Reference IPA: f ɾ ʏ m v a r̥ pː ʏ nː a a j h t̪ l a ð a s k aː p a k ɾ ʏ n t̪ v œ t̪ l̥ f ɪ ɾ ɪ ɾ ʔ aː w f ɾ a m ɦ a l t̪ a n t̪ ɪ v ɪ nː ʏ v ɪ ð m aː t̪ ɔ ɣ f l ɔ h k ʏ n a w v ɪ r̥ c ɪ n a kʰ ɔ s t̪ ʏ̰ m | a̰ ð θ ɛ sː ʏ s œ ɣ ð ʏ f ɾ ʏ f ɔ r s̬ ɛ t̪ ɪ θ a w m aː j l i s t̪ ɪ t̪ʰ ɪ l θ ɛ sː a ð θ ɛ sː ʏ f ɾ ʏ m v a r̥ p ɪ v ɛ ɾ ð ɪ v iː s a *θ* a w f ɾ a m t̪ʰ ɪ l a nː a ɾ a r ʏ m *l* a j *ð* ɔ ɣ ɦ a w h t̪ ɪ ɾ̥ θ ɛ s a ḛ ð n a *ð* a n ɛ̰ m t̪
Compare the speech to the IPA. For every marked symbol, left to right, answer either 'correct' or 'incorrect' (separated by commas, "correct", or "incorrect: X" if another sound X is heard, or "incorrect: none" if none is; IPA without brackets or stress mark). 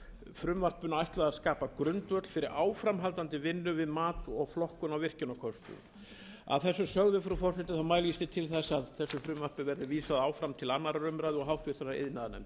incorrect: ð, incorrect: ɾ, correct, correct